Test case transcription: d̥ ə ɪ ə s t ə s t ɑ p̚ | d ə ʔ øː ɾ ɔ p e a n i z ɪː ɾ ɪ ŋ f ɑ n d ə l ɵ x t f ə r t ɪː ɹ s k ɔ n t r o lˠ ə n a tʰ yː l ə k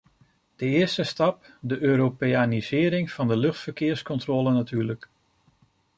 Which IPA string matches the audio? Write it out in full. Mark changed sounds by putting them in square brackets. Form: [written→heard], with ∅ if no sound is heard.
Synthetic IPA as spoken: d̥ ə ɪ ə s t ə s t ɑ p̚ | d ə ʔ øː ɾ [ɔ→o] p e a n i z ɪː ɾ ɪ ŋ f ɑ n d ə l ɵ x t f ə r [t→k] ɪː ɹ s k ɔ n t r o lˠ ə n a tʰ yː l ə k